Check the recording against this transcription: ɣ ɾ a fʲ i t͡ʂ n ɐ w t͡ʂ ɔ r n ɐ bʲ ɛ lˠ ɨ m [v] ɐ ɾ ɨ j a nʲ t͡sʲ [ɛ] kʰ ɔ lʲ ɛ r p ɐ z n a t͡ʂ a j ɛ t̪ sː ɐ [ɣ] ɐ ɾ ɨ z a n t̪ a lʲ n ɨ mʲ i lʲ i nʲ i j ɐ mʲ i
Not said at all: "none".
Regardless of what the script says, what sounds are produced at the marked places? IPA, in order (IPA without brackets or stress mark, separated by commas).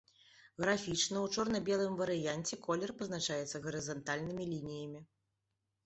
v, ɛ, ɣ